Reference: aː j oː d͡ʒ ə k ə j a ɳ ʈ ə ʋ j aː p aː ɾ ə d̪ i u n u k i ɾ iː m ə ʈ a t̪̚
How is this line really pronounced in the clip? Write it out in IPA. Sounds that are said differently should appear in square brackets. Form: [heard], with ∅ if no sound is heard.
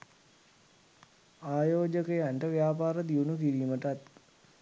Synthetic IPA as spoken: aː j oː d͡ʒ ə k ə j a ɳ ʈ ə ʋ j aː p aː ɾ ə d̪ i u n u k i ɾ iː m ə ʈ a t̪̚